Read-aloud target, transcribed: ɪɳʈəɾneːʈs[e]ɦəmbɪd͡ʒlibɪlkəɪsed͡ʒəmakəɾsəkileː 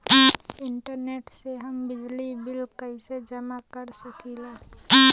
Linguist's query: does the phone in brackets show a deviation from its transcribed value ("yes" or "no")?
no